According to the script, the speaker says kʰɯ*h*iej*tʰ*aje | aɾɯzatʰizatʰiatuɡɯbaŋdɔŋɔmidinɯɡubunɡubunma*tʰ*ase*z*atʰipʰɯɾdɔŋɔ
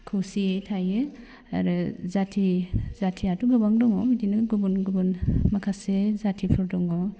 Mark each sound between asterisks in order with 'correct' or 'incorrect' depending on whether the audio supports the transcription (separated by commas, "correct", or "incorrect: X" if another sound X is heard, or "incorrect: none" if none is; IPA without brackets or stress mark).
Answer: incorrect: s, correct, incorrect: kʰ, correct